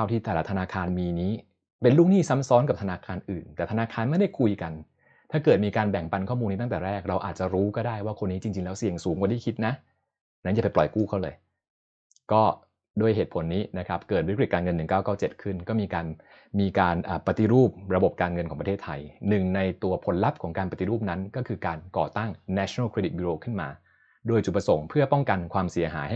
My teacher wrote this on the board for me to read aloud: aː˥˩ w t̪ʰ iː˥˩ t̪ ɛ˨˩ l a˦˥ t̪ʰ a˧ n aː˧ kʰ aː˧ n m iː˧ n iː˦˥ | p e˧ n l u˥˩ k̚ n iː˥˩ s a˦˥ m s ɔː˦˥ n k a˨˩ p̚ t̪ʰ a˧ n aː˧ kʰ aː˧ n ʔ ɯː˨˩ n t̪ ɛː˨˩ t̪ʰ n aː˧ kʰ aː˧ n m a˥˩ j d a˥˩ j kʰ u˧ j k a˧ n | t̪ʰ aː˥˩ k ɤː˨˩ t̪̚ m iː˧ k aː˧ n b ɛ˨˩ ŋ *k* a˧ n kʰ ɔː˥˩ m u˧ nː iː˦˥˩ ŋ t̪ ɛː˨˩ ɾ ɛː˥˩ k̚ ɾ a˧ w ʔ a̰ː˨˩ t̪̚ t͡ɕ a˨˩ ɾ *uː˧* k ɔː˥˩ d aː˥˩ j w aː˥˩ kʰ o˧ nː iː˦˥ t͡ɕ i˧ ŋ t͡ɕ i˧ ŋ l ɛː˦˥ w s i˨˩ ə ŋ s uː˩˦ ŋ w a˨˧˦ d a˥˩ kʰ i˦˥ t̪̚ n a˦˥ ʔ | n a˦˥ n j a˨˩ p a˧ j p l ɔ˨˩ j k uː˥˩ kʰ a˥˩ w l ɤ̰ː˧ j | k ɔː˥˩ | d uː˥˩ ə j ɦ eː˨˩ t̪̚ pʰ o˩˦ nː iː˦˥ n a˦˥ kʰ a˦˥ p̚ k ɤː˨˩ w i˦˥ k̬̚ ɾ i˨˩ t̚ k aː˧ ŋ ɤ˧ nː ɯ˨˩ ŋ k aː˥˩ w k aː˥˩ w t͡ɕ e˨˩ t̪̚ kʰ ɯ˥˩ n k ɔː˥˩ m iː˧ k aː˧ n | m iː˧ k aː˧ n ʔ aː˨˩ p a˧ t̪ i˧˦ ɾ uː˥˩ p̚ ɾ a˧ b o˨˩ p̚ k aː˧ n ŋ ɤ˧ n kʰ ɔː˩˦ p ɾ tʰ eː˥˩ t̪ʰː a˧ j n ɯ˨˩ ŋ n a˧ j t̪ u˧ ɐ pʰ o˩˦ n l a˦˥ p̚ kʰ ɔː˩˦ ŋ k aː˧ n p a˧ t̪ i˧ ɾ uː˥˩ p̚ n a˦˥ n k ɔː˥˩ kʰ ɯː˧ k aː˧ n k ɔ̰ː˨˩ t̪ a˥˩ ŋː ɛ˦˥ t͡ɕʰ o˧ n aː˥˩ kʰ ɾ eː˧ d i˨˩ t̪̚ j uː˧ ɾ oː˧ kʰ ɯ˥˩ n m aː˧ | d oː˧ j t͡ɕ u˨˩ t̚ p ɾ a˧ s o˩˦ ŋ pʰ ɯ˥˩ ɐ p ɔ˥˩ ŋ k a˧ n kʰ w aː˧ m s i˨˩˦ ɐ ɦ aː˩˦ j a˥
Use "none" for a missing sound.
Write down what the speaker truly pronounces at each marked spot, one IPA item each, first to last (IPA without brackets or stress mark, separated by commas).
p, uː˦˥